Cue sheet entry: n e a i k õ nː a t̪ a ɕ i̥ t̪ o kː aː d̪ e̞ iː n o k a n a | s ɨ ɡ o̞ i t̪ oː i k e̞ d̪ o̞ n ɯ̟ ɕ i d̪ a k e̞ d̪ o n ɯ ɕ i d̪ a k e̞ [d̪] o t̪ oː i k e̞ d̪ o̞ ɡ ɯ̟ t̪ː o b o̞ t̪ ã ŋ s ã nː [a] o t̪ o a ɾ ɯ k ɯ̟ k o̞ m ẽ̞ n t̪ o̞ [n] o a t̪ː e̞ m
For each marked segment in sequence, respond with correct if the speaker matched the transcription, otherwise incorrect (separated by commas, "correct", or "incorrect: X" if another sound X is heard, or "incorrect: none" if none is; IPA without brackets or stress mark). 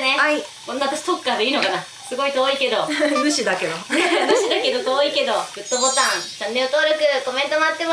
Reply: correct, incorrect: e, incorrect: m